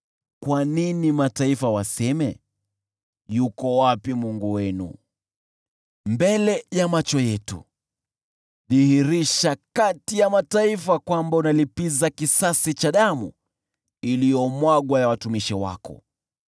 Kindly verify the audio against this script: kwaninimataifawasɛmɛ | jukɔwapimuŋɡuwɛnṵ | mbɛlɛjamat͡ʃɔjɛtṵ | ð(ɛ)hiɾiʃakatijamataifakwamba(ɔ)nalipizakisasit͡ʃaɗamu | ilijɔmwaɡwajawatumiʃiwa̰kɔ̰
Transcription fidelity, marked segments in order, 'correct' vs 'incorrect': incorrect: i, incorrect: u

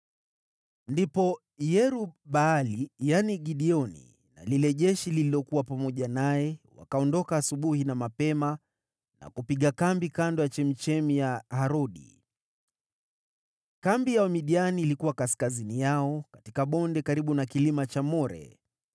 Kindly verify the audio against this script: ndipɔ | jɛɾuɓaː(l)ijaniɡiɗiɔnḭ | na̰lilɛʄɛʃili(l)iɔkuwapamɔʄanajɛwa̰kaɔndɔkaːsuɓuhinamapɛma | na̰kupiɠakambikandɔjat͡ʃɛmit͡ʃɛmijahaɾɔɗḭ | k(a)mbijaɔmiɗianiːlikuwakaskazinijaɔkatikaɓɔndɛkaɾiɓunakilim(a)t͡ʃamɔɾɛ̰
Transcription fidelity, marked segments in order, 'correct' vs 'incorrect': correct, correct, correct, correct

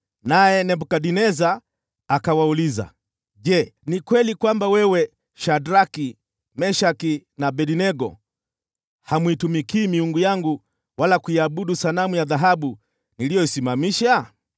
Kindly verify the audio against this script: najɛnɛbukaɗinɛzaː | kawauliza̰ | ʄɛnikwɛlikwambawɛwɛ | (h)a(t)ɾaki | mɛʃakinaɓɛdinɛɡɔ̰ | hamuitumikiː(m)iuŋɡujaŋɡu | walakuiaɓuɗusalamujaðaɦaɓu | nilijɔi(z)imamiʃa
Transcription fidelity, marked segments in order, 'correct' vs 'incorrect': incorrect: ʃ, incorrect: d, correct, incorrect: s

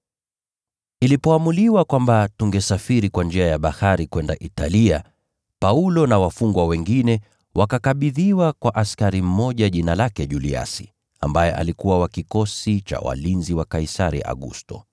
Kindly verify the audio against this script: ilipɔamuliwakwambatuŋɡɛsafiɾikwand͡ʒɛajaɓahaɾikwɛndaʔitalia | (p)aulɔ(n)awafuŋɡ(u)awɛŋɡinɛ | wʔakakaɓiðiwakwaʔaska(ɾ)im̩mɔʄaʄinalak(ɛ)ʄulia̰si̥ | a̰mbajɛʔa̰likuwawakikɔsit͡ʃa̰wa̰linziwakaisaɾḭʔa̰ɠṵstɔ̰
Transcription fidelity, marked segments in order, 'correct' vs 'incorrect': correct, correct, incorrect: w, correct, correct

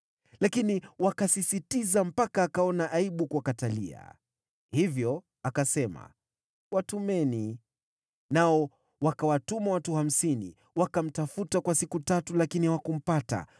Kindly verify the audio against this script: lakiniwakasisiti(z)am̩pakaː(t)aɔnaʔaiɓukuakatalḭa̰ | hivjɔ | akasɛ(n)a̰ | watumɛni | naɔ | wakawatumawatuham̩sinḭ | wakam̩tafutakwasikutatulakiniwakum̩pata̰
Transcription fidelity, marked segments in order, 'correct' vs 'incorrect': correct, incorrect: k, incorrect: m

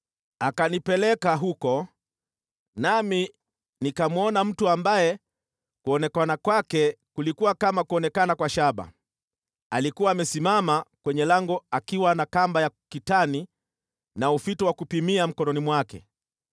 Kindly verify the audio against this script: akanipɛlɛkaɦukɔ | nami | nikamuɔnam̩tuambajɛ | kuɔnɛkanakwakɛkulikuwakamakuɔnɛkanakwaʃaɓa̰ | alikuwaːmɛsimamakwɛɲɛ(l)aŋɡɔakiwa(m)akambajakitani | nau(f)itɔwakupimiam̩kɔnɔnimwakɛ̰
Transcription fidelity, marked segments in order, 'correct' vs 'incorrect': correct, incorrect: n, correct

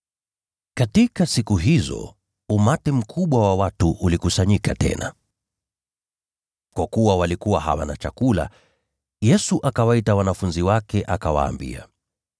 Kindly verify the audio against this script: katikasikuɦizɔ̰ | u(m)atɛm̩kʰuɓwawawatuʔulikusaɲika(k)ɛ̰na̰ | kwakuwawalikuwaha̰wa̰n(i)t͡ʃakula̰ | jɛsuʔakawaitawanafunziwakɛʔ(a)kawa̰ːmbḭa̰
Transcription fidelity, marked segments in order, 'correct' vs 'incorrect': correct, incorrect: t, incorrect: a, correct

